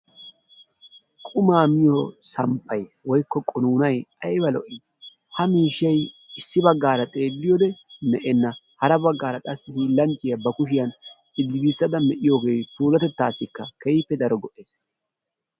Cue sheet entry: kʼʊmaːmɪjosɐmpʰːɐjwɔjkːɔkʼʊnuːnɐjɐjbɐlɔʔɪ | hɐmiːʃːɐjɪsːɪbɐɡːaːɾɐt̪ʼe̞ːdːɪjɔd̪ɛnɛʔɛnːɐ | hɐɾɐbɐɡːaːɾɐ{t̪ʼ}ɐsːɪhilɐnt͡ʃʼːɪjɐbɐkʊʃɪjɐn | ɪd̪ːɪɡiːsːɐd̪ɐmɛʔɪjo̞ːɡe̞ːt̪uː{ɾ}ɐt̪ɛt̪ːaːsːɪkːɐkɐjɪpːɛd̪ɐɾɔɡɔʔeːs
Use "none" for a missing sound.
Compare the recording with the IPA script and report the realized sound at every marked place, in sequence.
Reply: t̪ʼ, l

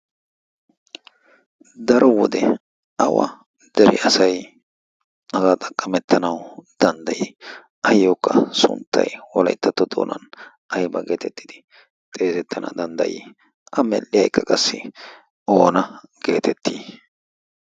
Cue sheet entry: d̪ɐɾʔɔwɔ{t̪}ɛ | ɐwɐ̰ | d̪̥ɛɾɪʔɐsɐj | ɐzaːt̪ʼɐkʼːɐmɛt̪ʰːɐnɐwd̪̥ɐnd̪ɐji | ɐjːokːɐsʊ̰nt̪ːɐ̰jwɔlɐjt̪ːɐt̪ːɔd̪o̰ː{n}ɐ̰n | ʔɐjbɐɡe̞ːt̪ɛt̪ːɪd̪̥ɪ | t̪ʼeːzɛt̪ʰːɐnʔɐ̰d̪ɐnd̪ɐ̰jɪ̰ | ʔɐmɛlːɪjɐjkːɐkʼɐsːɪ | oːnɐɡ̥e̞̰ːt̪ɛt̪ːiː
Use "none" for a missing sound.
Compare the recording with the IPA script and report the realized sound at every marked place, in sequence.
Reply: d̪, n

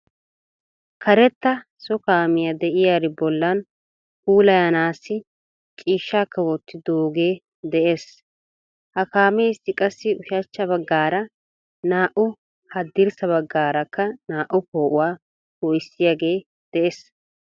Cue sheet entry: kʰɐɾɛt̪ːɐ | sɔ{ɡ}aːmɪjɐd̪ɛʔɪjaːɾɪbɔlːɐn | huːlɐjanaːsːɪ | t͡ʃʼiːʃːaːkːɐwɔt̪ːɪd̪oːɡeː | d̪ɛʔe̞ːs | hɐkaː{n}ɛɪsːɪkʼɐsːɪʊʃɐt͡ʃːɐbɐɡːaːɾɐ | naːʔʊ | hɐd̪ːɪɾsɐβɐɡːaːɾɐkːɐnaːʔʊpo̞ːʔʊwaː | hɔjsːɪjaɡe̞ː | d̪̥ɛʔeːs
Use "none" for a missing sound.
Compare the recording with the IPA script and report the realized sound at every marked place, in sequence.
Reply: k, m

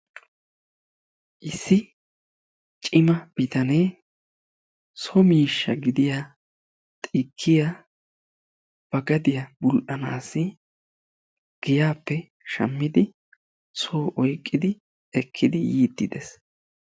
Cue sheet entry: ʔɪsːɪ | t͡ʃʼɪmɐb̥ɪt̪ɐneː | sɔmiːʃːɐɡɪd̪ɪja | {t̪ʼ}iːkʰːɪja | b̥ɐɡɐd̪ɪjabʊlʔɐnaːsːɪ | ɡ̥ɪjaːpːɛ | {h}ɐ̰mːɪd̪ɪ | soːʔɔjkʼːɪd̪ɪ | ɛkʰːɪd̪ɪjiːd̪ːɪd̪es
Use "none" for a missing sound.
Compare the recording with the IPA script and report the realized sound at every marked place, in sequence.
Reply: t̪ʼ, ʃ

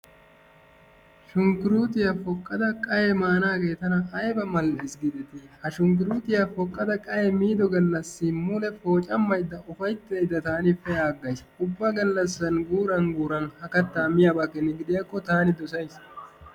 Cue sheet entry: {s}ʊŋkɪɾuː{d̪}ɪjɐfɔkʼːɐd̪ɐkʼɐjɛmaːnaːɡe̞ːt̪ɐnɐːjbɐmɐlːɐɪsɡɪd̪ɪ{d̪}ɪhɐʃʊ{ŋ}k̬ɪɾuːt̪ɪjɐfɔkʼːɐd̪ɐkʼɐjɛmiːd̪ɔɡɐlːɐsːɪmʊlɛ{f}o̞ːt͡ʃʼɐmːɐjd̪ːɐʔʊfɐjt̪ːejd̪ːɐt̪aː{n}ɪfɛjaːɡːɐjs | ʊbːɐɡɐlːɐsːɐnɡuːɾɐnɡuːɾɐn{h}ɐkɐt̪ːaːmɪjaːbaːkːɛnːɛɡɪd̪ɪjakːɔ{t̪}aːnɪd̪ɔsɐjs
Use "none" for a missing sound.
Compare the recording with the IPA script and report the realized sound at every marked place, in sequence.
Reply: ʃ, t̪, t̪, ŋ, f, n, h, t̪

